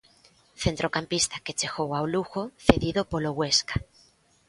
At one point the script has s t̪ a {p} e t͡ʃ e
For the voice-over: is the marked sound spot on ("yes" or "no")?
no